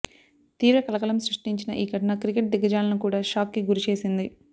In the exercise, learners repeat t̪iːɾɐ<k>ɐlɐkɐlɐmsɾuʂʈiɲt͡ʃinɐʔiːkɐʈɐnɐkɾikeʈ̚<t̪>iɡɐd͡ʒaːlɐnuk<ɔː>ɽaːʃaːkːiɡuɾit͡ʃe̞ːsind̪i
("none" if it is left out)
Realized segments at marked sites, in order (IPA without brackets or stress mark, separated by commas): k, d̪, uː